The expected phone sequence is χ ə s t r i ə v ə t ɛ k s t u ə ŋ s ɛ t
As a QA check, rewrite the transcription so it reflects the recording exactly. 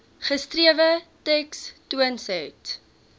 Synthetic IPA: χ ə s t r i ə v ə t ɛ k s t u ə n s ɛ t